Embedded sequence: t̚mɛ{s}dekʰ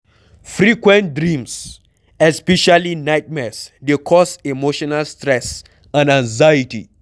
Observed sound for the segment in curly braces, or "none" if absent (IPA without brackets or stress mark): s